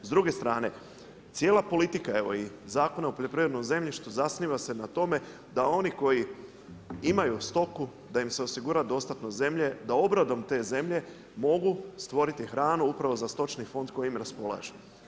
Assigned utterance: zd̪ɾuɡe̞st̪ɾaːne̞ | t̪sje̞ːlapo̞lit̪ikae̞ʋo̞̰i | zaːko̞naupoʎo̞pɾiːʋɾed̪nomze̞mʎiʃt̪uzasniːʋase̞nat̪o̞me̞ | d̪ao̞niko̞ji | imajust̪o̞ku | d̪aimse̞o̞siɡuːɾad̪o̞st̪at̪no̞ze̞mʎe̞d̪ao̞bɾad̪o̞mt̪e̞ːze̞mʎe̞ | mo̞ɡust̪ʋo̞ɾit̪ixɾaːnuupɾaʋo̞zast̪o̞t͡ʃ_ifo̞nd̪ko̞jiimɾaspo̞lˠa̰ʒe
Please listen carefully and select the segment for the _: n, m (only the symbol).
n